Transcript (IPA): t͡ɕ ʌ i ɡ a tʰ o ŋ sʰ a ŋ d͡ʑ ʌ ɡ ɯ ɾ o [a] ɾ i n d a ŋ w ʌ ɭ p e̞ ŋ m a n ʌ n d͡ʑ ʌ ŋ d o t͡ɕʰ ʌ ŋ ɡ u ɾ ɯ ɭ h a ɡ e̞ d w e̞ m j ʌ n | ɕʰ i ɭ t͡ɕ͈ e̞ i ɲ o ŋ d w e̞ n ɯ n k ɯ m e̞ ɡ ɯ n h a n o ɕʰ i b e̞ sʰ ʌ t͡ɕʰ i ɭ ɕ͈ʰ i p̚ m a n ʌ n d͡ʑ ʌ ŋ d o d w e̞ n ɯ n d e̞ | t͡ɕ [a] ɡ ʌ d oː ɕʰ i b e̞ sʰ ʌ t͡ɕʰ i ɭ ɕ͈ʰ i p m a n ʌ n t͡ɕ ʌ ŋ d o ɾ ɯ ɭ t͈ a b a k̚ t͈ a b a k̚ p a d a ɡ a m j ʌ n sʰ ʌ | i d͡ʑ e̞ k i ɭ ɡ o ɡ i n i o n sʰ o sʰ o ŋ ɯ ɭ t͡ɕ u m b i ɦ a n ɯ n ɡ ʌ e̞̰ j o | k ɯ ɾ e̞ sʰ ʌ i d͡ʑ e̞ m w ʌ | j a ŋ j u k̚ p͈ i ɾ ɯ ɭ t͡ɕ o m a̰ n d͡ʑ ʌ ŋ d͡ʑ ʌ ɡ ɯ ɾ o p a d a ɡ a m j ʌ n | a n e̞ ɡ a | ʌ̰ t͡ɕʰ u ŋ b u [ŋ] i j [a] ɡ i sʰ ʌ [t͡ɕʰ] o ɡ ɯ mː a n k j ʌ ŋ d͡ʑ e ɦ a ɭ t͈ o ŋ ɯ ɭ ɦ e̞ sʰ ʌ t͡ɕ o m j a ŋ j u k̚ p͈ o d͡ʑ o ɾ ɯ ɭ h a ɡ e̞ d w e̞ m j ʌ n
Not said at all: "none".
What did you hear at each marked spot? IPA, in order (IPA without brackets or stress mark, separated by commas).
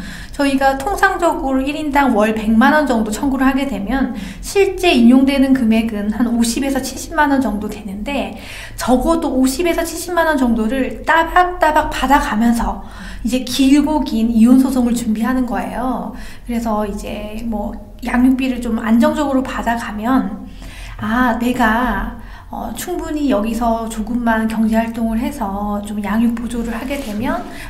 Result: i, ʌ, ɲ, ʌ, t͡ɕ